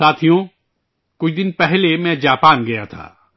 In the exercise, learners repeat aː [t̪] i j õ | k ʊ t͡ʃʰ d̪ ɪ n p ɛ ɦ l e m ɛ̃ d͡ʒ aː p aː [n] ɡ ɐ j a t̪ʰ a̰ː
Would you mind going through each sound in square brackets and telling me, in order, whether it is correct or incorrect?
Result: incorrect, correct

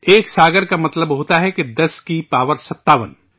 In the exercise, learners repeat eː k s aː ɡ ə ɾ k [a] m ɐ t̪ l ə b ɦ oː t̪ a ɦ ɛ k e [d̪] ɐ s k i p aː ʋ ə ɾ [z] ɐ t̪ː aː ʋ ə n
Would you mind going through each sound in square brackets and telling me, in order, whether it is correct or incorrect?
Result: correct, correct, incorrect

